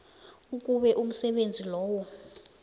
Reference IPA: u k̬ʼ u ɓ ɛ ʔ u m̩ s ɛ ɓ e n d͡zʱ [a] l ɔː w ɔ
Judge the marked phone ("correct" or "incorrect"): incorrect